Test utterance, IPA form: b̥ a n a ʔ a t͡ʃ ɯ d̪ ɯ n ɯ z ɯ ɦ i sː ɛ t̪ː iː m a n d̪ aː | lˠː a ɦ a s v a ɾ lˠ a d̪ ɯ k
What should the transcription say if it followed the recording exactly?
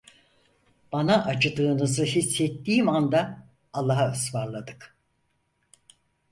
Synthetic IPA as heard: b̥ a n a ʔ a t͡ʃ ɯ d̪ ɯː n ɯ z ɯ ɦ i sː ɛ t̪ː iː m a n d̪ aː | lˠː a ɦ a s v a ɾ lˠ a d̪ ɯ k